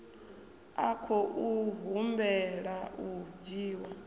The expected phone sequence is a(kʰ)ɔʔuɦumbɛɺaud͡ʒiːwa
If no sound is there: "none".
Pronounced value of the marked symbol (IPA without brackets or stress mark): kʰ